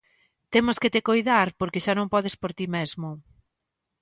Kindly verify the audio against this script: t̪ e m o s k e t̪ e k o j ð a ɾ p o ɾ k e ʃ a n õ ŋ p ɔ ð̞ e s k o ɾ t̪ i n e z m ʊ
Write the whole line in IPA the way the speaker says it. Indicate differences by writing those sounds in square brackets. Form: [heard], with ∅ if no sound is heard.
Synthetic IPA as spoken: t̪ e m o s k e t̪ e k o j ð a ɾ p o ɾ k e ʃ a n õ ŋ p ɔ ð̞ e s [p] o ɾ t̪ i [m] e z m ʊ